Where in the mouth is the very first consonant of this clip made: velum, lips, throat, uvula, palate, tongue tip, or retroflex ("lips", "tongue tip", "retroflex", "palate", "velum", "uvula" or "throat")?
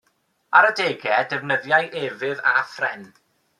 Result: tongue tip